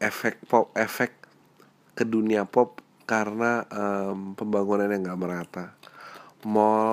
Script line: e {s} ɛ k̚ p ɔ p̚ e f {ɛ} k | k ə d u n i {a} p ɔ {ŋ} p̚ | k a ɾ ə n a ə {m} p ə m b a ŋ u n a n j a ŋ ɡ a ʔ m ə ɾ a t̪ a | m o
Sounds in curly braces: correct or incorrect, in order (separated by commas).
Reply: incorrect, correct, correct, incorrect, correct